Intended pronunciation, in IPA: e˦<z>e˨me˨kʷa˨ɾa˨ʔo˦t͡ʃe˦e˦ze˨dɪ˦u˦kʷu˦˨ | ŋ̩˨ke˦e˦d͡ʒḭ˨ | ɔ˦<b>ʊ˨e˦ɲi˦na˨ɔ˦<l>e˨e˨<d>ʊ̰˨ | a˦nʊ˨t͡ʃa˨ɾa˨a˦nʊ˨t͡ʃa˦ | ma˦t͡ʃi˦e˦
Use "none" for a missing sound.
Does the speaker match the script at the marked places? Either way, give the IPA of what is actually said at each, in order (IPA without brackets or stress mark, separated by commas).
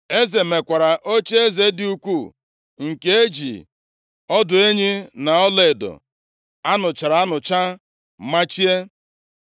z, d, l, d